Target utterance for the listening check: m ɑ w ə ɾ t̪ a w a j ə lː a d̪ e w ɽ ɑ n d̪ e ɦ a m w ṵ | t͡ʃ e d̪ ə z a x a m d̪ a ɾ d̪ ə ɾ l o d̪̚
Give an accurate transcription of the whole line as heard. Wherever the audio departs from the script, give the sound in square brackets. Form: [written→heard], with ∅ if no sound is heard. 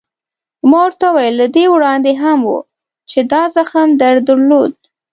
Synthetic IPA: m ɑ w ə ɾ t̪ a w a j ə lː a d̪ e w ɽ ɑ n d̪ e ɦ a m w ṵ | t͡ʃ e d̪ [ə→ɑ] z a x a m d̪ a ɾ d̪ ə ɾ l o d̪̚